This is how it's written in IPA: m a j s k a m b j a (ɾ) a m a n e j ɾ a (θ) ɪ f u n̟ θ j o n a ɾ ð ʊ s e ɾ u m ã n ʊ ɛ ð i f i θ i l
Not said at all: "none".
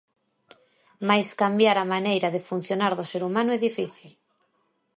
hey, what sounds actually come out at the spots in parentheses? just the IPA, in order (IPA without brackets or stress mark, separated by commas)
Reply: ɾ, ð